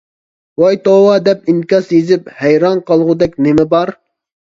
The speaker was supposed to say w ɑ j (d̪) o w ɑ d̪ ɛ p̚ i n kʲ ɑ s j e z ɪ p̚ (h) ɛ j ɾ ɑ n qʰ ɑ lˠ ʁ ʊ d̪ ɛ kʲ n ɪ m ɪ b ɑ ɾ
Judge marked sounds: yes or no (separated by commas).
no, yes